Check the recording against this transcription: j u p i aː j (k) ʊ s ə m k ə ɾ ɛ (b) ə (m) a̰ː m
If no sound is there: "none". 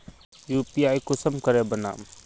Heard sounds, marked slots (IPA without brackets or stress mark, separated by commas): k, b, n